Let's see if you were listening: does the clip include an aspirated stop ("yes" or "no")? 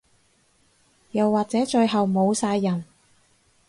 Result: no